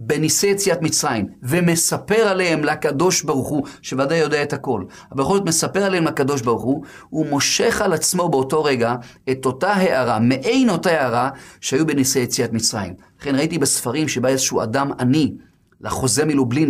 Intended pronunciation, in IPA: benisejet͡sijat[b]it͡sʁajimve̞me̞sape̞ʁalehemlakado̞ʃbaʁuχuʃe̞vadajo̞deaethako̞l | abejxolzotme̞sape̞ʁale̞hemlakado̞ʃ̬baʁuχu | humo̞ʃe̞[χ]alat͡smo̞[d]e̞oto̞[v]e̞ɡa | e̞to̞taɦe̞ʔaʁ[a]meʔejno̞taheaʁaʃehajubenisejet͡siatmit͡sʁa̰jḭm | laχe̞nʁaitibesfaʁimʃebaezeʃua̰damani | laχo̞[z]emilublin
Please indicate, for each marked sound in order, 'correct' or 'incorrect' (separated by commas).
incorrect, correct, incorrect, incorrect, correct, correct